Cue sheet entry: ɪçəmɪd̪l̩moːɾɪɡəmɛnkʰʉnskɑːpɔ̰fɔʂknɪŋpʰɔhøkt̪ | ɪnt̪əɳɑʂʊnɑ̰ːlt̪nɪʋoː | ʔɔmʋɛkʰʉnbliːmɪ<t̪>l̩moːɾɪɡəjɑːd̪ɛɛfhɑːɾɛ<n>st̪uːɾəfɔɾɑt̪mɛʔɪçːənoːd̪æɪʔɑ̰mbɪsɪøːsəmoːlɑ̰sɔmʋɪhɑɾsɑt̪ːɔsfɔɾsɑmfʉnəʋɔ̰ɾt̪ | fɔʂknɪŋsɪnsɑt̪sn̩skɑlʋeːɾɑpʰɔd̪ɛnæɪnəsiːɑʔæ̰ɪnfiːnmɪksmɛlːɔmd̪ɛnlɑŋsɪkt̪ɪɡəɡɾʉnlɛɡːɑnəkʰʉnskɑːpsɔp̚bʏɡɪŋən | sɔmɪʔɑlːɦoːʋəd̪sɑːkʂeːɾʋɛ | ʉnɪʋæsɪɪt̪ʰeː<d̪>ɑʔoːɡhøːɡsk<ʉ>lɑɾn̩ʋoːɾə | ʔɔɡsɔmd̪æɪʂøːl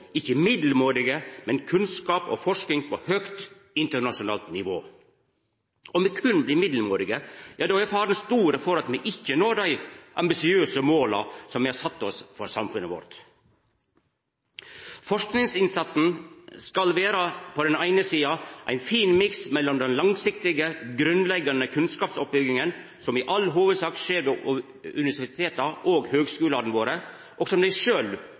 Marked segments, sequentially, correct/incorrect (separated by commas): incorrect, correct, incorrect, incorrect